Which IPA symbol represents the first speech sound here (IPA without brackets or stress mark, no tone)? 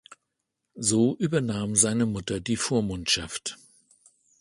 z